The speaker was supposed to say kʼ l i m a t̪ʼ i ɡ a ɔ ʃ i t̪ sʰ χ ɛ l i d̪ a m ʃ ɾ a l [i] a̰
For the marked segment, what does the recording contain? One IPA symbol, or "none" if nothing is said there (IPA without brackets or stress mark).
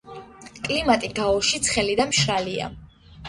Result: i